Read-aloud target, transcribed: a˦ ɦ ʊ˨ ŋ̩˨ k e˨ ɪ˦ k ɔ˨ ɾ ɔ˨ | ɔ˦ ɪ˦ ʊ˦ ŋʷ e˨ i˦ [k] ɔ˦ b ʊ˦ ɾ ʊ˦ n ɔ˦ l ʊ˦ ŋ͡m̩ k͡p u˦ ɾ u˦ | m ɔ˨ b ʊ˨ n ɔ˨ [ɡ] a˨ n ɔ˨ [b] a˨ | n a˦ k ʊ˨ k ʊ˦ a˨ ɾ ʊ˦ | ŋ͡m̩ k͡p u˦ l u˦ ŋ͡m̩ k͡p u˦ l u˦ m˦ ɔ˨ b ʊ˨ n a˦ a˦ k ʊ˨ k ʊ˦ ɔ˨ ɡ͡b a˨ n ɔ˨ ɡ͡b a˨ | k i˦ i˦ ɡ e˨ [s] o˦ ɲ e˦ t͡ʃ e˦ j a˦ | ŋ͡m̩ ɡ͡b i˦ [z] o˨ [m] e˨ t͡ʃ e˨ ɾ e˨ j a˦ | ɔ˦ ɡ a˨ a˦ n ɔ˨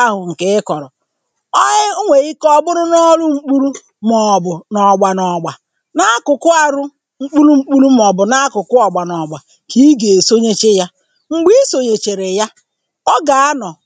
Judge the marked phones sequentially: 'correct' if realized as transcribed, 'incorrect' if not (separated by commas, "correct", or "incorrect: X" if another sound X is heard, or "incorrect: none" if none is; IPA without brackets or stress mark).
correct, incorrect: ɡ͡b, incorrect: ɡ͡b, correct, incorrect: s, incorrect: ɲ